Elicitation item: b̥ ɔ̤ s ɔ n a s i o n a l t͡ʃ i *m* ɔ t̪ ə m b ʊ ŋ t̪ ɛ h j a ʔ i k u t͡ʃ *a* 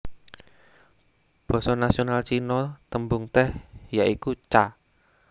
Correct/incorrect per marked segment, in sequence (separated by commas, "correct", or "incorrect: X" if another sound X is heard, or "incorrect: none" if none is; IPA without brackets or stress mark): incorrect: n, correct